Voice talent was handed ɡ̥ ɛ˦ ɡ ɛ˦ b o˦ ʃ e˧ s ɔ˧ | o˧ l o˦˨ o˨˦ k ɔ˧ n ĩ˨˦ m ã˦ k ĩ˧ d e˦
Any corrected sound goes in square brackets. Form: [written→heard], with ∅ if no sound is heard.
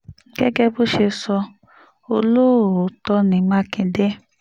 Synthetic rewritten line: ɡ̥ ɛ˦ ɡ ɛ˦ b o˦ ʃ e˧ s ɔ˧ | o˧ l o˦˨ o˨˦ [k→t] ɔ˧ n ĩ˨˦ m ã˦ k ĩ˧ d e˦